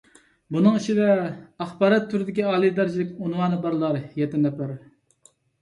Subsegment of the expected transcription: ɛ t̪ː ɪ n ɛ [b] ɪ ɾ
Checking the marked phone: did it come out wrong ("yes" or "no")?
yes